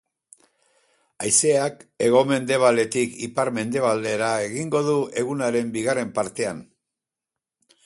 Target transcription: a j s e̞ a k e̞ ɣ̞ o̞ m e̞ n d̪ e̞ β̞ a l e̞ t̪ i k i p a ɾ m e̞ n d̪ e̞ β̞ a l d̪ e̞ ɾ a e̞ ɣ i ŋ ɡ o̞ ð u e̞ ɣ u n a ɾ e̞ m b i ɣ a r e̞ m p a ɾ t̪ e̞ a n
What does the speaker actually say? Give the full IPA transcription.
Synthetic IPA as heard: a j s e̞ a k e̞ ɣ̞ o̞ m e̞ n d̪ e̞ β̞ a l e̞ t̪ i k i p a ɾ m e̞ n d̪ e̞ β̞ a l d̪ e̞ ɾ a e̞ ɣ i ŋ ɡ o̞ ð u e̞ ɣ u n a ɾ e̞ m b i ɣ a r e̞ m p a ɾ t̪ e̞ a n